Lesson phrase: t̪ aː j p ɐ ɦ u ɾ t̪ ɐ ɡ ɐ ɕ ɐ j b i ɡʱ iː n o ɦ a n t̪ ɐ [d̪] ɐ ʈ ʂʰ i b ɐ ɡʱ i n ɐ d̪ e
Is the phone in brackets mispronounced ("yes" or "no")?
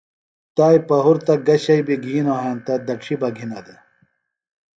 no